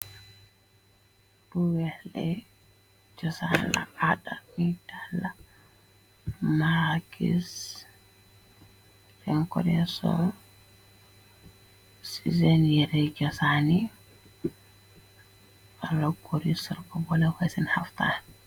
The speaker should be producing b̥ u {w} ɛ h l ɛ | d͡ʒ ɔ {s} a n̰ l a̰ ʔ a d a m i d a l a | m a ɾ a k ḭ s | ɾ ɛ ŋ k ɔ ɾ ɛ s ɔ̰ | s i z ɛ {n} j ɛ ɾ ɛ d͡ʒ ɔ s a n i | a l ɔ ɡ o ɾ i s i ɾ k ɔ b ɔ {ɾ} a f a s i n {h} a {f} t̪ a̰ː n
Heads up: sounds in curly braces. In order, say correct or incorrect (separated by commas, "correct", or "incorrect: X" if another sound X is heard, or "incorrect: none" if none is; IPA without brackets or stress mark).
correct, correct, correct, incorrect: l, correct, correct